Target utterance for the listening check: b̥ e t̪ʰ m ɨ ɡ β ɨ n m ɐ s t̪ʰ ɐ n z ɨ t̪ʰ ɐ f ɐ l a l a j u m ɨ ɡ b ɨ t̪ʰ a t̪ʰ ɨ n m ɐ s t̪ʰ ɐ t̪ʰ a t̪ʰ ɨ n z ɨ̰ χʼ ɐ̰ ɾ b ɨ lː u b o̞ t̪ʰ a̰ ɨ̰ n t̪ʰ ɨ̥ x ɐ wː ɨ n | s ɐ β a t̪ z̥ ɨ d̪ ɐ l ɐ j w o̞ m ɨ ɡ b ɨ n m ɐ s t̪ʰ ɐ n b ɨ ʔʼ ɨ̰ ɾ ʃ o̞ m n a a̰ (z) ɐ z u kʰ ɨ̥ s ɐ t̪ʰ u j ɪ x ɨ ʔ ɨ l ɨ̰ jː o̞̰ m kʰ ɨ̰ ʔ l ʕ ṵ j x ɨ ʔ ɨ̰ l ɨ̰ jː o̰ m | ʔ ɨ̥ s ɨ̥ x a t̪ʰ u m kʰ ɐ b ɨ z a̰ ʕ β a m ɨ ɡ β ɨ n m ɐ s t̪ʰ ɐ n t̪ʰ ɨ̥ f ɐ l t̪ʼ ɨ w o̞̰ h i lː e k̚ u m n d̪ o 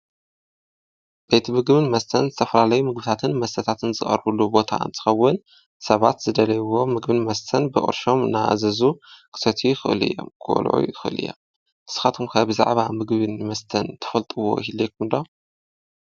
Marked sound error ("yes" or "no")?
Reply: no